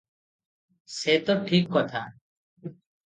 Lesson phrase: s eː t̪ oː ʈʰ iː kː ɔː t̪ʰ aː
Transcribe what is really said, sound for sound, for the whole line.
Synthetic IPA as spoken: s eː t̪ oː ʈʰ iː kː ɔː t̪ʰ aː